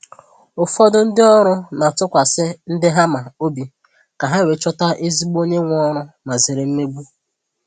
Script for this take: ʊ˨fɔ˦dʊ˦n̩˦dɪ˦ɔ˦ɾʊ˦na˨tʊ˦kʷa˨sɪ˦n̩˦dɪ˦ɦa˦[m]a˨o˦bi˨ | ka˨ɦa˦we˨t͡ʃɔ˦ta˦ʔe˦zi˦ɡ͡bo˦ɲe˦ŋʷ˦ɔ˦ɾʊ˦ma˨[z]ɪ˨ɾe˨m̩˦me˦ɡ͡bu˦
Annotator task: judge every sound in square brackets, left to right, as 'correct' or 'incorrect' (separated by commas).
correct, correct